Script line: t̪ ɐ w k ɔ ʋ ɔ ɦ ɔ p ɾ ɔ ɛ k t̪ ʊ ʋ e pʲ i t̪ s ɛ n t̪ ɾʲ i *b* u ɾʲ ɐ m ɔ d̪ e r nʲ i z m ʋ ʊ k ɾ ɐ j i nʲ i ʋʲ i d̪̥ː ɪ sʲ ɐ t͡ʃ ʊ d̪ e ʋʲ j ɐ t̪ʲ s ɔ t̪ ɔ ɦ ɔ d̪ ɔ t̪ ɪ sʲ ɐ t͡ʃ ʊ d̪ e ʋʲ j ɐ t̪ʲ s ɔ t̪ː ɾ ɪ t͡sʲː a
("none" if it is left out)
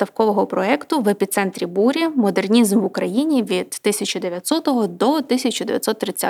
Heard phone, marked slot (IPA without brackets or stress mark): b